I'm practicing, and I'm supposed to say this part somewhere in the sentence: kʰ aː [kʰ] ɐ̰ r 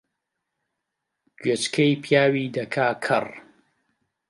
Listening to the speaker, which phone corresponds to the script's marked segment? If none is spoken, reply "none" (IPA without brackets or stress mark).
kʰ